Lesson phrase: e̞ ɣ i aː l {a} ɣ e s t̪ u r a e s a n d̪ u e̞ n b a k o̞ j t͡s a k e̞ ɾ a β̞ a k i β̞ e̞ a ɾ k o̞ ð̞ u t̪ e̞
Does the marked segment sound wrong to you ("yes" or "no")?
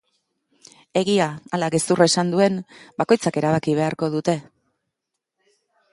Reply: no